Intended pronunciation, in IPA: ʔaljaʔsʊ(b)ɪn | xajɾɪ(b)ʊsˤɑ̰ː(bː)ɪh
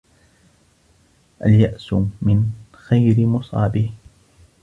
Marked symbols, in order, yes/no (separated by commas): no, no, no